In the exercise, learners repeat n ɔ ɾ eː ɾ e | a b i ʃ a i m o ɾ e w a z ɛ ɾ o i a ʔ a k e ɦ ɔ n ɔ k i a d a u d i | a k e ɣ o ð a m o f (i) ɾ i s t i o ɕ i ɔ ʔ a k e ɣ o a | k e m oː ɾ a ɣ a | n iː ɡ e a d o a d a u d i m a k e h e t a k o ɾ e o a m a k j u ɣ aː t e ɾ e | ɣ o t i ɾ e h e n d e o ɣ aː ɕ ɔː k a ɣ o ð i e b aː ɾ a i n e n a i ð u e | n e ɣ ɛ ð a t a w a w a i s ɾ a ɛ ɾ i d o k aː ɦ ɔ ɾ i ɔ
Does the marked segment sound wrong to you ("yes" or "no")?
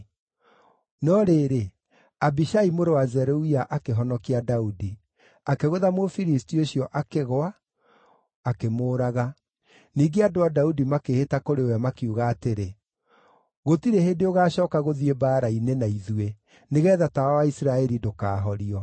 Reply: no